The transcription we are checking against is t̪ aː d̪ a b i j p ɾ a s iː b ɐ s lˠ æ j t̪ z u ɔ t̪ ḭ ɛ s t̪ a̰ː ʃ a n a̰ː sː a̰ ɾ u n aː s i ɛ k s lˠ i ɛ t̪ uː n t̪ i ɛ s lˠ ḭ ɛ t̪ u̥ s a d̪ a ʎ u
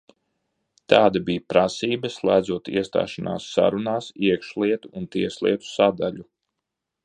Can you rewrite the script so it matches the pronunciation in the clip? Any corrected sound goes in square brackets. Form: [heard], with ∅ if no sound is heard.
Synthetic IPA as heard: t̪ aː d̪ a b i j p ɾ a s iː b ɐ s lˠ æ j [d̪] z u ɔ t̪ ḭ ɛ s t̪ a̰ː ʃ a n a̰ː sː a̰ ɾ u n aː s i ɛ k [ʃ] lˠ i ɛ t̪ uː n t̪ i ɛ s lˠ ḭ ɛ t̪ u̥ s a d̪ a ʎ u